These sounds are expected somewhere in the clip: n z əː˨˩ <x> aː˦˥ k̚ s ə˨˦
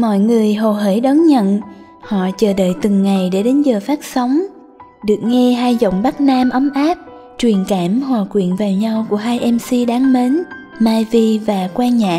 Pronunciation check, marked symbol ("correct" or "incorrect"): incorrect